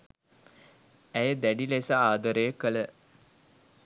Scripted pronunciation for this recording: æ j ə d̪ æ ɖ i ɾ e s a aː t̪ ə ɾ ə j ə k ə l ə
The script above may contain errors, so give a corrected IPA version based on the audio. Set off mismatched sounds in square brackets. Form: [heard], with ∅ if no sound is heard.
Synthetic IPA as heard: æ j ə d̪ æ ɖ i [l] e s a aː [d̪] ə ɾ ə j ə k ə l ə